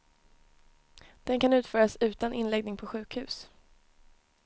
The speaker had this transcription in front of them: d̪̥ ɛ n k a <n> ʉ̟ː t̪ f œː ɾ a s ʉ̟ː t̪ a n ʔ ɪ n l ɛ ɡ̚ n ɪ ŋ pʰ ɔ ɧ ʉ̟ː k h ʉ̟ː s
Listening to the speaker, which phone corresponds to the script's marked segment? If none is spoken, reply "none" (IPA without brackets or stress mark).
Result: n